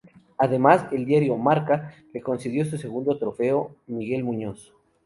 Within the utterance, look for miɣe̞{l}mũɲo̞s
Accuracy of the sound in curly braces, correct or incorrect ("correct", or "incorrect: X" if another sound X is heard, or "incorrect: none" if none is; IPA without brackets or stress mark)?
correct